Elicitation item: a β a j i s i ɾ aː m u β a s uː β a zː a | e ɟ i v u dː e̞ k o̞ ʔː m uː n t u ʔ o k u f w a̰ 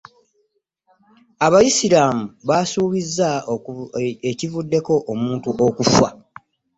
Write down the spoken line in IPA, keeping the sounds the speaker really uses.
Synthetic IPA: a β a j i s i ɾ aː m u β a s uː β i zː a | e c i v u dː e̞ k o̞ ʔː m uː n t u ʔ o k u f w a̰